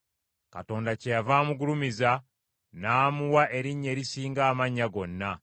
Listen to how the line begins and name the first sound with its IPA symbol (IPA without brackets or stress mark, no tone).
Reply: k